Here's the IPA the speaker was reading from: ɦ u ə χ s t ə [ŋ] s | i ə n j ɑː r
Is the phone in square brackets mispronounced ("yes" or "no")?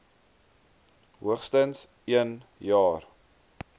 yes